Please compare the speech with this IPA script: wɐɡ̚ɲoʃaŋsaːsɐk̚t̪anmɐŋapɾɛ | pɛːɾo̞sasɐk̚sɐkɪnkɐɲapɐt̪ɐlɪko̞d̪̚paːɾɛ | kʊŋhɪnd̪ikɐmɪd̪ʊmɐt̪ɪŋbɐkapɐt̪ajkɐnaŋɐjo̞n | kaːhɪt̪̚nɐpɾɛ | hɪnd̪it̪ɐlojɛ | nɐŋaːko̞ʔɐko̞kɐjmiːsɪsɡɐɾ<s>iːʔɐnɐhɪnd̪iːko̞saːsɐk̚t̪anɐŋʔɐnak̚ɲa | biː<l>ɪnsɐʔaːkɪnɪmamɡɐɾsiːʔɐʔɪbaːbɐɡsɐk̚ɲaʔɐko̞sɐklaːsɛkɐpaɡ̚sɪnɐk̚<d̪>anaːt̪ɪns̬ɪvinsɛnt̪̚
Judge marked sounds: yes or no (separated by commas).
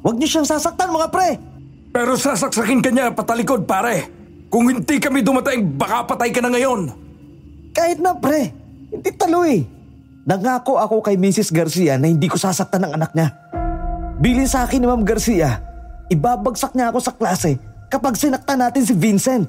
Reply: yes, yes, no